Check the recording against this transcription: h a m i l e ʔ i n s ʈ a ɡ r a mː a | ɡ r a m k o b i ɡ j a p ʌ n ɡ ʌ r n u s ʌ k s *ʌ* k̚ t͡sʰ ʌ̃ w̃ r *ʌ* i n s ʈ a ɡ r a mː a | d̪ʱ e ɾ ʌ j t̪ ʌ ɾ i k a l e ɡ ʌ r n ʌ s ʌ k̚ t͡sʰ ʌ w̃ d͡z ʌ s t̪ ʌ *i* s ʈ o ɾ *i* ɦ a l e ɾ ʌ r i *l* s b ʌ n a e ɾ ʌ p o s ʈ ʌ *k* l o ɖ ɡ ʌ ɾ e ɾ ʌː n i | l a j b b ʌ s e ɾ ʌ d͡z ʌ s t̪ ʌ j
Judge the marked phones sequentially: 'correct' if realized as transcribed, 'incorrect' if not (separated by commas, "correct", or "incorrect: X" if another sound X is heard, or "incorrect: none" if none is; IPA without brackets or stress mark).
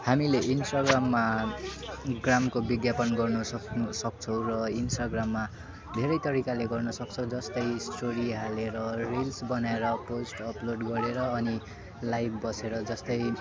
correct, correct, incorrect: j, correct, correct, incorrect: p